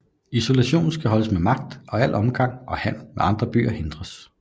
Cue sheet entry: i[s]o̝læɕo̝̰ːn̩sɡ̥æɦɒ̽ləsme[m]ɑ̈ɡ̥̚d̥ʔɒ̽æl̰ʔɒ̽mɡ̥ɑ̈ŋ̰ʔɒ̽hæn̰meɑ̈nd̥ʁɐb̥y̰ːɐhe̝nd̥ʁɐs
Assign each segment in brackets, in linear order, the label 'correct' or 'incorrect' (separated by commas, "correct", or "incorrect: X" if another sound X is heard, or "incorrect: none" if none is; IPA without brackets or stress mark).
correct, correct